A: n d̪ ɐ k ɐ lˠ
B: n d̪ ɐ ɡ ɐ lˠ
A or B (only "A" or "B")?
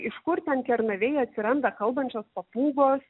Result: A